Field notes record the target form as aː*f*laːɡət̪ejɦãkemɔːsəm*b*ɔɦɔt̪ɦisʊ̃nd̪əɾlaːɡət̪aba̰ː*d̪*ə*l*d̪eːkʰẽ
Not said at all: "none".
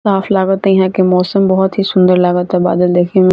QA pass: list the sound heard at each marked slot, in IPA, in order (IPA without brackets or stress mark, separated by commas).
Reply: f, b, d̪, l